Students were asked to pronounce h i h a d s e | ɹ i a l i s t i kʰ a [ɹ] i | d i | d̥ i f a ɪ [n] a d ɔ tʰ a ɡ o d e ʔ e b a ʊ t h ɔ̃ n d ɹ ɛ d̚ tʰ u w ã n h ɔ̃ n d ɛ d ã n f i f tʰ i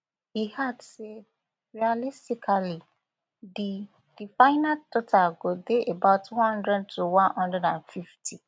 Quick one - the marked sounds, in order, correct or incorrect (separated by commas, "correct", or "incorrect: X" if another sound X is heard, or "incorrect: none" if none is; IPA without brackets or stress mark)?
incorrect: l, correct